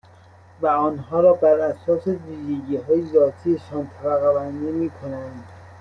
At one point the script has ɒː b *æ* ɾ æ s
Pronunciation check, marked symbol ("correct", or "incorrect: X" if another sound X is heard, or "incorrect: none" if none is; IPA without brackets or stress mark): correct